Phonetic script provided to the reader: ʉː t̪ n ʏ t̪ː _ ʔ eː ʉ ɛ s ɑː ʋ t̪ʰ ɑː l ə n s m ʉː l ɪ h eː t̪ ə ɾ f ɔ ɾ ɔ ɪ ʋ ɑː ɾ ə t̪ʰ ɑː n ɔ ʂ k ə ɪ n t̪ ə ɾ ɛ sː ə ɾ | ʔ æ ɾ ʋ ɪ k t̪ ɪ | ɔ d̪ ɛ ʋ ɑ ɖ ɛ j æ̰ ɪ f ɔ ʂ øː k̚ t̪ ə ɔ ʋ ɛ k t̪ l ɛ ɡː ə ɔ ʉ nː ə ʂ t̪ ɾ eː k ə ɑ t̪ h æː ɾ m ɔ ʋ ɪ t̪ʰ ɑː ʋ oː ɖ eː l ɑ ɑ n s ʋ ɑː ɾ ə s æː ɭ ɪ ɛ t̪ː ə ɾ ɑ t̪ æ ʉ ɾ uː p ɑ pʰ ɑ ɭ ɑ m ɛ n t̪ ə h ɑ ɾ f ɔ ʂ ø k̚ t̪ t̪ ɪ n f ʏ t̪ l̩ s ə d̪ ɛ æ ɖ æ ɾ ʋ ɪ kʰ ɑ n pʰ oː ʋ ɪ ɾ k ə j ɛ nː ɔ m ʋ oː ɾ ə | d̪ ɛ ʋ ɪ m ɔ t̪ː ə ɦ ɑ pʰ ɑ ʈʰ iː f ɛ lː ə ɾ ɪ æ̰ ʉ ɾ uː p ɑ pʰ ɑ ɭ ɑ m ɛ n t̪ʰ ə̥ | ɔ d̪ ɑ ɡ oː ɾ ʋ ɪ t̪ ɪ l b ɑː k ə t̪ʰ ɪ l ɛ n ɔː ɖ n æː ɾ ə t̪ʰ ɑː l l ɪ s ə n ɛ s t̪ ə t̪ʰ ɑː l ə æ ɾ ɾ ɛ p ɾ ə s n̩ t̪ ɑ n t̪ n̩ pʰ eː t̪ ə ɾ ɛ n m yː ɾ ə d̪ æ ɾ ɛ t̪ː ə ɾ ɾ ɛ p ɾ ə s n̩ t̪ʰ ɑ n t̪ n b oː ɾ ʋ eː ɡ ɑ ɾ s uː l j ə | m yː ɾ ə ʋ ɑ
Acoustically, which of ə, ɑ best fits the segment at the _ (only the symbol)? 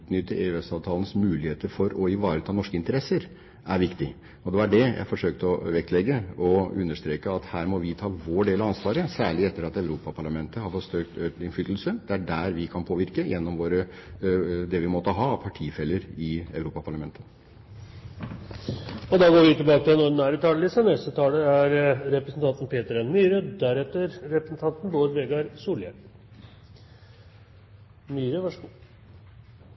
ə